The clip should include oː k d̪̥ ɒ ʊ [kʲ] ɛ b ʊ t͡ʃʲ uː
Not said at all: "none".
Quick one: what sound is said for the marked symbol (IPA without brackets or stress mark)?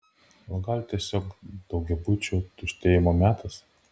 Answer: ɡʲ